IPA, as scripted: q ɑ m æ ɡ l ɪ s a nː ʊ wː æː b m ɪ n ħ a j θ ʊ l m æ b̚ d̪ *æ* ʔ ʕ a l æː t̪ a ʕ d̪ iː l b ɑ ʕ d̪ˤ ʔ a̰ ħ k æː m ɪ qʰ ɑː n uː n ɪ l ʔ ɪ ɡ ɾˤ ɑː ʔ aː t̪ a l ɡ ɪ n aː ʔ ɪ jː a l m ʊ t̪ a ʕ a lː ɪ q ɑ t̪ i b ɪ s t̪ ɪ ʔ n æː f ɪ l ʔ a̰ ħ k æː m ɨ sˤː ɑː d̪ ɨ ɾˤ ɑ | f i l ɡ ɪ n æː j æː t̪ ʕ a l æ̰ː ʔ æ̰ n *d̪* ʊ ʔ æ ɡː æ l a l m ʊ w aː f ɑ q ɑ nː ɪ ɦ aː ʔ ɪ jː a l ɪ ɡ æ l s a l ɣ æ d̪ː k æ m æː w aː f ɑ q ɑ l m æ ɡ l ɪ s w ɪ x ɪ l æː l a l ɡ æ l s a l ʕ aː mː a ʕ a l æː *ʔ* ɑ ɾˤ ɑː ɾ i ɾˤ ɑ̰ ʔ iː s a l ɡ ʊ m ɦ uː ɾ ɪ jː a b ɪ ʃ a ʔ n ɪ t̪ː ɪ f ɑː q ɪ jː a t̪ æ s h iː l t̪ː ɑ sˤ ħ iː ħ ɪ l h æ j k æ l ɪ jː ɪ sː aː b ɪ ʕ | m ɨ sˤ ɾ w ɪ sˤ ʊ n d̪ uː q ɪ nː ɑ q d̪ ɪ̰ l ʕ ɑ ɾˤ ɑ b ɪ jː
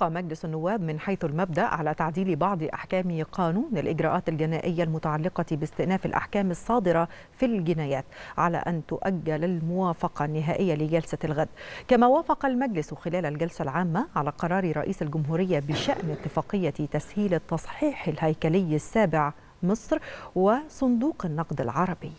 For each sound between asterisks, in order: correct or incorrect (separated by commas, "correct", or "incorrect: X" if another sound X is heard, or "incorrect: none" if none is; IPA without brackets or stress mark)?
incorrect: a, incorrect: t̪, incorrect: q